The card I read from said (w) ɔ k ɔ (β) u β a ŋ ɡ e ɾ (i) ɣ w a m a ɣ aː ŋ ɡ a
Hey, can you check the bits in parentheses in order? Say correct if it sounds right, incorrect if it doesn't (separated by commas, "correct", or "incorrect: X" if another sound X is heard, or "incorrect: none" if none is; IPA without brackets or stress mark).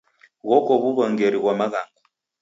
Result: incorrect: ɣ, correct, correct